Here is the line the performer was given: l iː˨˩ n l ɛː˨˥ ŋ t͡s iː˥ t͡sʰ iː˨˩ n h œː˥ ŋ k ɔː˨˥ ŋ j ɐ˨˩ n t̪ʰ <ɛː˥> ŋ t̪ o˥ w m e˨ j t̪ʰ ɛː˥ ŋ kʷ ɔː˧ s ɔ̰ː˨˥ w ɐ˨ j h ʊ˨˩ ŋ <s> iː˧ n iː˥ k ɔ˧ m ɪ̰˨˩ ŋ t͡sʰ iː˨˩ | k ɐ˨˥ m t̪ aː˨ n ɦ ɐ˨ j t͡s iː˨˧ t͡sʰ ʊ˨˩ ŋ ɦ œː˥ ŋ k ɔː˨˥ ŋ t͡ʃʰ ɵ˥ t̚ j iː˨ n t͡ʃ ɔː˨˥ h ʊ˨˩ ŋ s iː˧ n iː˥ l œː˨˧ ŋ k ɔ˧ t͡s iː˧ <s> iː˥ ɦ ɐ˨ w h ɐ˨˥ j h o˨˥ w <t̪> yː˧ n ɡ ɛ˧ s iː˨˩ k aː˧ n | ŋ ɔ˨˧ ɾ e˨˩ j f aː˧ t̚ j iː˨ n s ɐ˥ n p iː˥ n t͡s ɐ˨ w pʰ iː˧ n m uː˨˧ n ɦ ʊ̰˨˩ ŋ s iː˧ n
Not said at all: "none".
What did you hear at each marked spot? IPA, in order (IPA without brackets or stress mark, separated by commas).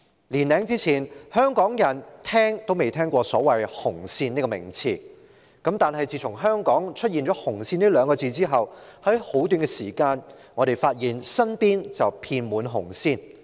ɛː˥, s, t͡s, t̪